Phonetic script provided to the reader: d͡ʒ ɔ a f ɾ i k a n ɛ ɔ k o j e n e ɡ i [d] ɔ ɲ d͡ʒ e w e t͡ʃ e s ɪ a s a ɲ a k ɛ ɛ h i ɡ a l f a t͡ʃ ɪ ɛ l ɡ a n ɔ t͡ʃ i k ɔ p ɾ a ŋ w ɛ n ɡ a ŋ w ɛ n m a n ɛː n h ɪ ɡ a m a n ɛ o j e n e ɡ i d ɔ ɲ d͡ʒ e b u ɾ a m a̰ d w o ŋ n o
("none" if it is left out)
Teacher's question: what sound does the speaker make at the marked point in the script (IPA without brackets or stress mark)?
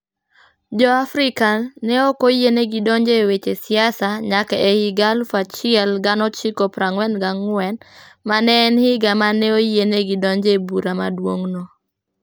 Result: d